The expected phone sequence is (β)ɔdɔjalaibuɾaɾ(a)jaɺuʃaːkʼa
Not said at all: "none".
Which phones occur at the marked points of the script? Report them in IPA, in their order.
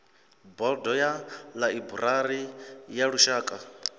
b, i

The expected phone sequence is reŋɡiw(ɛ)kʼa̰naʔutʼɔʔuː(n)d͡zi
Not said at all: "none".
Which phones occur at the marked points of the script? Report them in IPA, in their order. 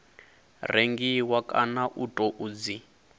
a, none

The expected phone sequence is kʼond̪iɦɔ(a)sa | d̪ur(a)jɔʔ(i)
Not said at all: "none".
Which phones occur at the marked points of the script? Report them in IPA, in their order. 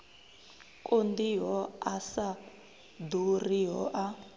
a, i, a

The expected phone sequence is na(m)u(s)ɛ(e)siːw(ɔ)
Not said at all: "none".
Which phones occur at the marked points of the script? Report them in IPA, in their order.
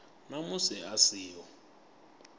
m, s, a, ɔ

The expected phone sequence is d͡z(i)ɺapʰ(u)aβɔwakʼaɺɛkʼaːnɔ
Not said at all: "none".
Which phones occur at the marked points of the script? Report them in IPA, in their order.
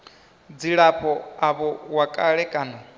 i, ɔ

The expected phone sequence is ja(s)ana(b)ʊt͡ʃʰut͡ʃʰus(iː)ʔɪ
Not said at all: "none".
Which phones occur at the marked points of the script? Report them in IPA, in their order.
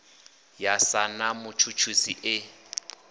s, m, i

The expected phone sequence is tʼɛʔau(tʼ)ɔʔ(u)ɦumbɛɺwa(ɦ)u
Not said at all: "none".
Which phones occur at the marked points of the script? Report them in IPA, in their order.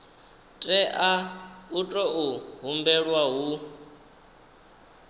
tʼ, u, ɦ

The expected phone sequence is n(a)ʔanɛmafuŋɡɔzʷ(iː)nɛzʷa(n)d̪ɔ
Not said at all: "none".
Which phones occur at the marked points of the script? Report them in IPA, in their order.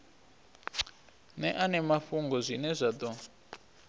ɛ, i, none

